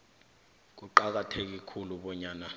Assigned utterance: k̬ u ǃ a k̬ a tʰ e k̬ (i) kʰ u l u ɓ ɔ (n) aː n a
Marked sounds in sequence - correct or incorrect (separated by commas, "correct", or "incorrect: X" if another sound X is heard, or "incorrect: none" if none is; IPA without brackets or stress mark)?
correct, incorrect: ɲ